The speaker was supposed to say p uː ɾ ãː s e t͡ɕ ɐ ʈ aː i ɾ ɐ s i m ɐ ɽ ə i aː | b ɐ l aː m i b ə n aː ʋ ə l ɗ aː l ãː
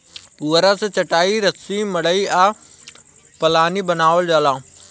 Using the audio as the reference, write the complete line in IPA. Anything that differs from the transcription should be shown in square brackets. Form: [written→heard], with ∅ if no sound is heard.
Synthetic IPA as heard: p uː ɾ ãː s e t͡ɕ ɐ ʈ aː i ɾ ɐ s i m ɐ ɽ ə i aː | [b→p] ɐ l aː [m→n] i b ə n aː ʋ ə l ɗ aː l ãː

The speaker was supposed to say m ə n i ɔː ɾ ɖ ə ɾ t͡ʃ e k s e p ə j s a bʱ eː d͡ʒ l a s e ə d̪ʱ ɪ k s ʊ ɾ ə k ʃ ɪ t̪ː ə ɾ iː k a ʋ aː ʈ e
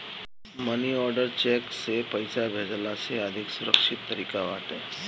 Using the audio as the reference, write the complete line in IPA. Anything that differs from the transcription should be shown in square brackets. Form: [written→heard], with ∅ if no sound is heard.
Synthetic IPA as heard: m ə n i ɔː ɾ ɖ ə ɾ t͡ʃ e k s e p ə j s a bʱ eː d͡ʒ l a s e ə d̪ʱ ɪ k s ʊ ɾ ə k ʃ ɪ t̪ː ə ɾ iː k a ʋ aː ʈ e

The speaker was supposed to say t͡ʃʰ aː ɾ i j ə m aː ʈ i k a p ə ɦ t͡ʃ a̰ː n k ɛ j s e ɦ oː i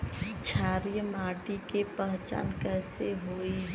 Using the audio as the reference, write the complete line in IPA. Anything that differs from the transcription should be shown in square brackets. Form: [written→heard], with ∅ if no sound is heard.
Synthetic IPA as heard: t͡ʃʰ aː ɾ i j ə m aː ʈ i k [a→e] p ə ɦ t͡ʃ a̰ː n k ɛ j s e ɦ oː i

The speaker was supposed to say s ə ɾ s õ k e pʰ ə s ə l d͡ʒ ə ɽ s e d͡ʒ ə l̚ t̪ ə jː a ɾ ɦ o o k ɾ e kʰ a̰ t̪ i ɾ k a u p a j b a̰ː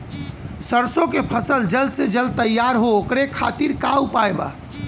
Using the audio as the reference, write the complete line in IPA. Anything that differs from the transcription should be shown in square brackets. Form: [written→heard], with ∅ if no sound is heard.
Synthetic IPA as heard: s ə ɾ s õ k e pʰ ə s ə l d͡ʒ ə [ɽ→l] s e d͡ʒ ə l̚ t̪ ə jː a ɾ ɦ o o k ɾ e kʰ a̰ t̪ i ɾ k a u p a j b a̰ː

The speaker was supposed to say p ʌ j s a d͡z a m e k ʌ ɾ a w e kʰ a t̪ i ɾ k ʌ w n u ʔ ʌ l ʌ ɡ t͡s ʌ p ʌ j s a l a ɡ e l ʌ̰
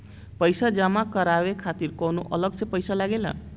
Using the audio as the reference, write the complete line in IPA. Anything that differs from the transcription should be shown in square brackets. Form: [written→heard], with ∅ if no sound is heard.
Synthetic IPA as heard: p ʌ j s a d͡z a m [e→a] k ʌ ɾ a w e kʰ a t̪ i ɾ k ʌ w n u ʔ ʌ l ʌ ɡ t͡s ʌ p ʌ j s a l a ɡ e l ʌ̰

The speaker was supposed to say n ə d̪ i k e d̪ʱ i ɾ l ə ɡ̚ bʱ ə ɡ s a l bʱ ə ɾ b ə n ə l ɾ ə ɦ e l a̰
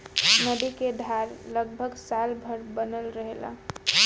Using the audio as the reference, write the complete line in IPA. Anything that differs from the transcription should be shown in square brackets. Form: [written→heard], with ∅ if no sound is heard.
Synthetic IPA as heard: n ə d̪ i k e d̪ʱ [i→a] ɾ l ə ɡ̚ bʱ ə ɡ s a l bʱ ə ɾ b ə n ə l ɾ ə ɦ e l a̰

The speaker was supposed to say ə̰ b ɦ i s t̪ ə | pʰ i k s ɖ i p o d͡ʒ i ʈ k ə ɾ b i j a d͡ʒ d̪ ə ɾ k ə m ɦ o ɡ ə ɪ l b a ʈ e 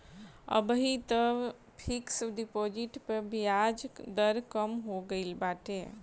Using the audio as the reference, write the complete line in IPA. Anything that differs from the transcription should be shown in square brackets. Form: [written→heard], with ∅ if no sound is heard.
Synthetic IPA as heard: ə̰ b ɦ i [s→∅] t̪ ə | pʰ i k s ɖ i p o d͡ʒ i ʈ [k→p] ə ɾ b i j a d͡ʒ d̪ ə ɾ k ə m ɦ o ɡ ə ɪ l b a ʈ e

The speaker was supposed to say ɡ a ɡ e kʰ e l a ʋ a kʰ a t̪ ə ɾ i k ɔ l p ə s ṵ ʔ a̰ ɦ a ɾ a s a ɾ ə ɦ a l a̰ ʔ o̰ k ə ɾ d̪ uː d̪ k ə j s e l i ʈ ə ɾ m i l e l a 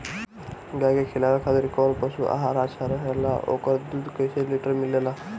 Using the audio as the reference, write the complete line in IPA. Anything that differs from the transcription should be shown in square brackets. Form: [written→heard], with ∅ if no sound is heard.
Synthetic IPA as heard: ɡ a ɡ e kʰ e l a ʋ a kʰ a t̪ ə ɾ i k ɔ l p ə s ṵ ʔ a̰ ɦ a ɾ a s a ɾ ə ɦ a l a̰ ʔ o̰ k ə ɾ d̪ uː d̪ k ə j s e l i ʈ ə ɾ m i l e l a

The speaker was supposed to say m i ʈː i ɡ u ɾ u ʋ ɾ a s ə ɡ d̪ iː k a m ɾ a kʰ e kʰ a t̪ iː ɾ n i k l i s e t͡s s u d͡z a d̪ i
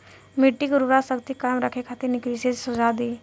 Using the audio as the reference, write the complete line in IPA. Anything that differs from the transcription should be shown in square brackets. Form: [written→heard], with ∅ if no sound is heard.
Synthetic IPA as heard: m i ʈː i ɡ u ɾ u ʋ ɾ a s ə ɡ [d̪→t̪] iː k a m ɾ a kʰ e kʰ a t̪ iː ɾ n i k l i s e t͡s s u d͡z a d̪ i

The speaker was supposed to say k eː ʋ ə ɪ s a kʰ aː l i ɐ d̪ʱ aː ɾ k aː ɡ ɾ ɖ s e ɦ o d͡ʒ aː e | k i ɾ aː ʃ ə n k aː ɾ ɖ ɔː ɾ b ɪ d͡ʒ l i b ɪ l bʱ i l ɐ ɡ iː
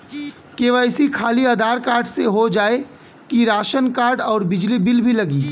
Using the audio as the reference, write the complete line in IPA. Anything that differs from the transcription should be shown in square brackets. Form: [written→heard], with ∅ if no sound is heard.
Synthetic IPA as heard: k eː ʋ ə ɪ s [a→i] kʰ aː l i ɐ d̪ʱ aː ɾ k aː [ɡ→∅] ɾ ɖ s e ɦ o d͡ʒ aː e | k i ɾ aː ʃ ə n k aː ɾ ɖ ɔː ɾ b ɪ d͡ʒ l i b ɪ l bʱ i l ɐ ɡ iː

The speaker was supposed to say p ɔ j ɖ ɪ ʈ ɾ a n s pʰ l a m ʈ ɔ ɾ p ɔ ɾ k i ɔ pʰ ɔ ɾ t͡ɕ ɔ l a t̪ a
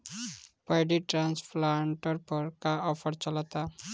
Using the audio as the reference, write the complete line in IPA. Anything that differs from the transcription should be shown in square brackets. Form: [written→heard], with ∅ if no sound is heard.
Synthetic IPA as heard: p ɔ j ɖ [ɪ→i] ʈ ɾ a n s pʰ l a [m→ɳ] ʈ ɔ ɾ p ɔ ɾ k [i→a] ɔ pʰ ɔ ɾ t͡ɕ ɔ l a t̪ a

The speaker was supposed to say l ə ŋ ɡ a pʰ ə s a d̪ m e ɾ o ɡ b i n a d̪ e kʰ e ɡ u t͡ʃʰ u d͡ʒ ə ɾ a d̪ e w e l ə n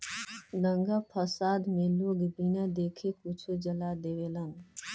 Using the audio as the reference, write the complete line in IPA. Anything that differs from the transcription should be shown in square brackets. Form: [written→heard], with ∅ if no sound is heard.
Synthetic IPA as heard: l ə ŋ ɡ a pʰ ə s a d̪ m e [ɾ→l] o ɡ b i n a d̪ e kʰ e [ɡ→k] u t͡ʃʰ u d͡ʒ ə [ɾ→l] a d̪ e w e l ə n

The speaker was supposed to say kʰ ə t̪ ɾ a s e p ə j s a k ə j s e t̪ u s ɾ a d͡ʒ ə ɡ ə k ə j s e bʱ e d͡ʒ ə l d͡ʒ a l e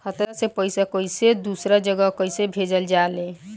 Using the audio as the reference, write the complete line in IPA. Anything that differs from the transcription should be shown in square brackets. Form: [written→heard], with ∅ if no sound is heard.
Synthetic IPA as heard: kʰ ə t̪ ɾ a s e p ə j s a k ə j s e [t̪→d̪] u s ɾ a d͡ʒ ə ɡ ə k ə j s e bʱ e d͡ʒ ə l d͡ʒ a l e

